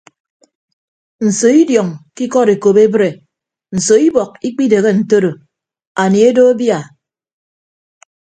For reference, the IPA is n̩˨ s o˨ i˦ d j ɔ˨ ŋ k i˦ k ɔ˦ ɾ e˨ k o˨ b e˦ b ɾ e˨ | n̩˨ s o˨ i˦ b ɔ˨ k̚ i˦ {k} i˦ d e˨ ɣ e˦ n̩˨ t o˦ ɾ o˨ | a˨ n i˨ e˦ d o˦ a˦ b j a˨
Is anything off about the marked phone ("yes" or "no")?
yes